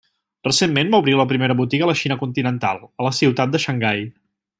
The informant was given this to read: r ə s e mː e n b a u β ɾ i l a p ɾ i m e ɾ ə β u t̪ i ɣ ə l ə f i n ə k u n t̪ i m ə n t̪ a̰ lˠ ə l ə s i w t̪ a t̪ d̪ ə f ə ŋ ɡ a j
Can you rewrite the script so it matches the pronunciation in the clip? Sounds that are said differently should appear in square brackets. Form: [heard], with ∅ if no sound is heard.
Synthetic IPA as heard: r ə s e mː e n b a u β ɾ i l [ə] p ɾ i m e ɾ ə β u t̪ i ɣ ə l ə [ʃ] i n ə k u n t̪ i [n] ə n t̪ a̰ lˠ ə l ə s i w t̪ a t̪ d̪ ə [ʃ] ə ŋ ɡ a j